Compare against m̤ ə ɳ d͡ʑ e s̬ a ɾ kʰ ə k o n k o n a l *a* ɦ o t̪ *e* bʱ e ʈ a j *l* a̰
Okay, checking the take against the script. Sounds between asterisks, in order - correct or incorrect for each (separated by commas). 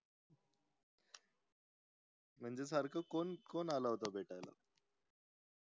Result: correct, incorrect, correct